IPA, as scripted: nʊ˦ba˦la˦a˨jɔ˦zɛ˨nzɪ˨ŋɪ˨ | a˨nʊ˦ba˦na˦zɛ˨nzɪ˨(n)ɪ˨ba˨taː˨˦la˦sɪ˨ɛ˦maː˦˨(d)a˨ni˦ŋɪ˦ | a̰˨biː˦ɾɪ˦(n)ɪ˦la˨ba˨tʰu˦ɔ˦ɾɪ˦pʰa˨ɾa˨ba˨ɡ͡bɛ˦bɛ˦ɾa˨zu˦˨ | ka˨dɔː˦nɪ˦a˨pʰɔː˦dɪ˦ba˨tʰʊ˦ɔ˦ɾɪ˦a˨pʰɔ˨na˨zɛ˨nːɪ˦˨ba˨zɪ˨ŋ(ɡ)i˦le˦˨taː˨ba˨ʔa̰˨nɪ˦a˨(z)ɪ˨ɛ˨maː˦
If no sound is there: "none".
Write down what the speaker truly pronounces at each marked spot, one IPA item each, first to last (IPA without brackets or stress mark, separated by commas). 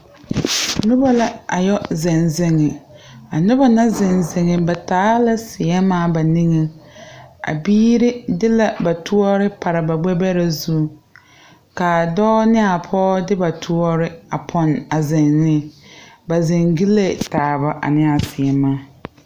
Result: ŋ, b, d, ɡ, s